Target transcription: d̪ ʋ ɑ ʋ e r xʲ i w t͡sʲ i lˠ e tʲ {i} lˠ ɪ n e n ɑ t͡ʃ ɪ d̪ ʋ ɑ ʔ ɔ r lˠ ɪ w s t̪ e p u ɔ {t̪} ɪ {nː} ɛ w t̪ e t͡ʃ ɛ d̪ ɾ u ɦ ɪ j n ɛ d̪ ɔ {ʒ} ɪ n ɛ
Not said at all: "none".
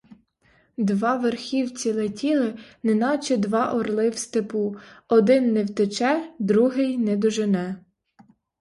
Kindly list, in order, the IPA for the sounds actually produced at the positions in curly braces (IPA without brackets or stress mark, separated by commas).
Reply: i, d̪, nː, ʒ